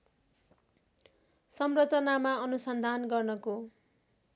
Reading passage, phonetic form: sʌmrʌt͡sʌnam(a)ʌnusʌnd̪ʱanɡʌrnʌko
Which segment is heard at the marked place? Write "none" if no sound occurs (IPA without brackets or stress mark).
a